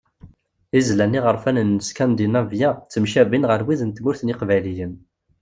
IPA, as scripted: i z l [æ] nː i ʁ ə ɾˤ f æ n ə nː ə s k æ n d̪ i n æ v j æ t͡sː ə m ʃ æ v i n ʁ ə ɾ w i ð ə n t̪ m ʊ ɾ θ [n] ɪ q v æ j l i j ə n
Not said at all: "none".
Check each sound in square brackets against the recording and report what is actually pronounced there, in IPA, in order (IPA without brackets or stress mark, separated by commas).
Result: æ, n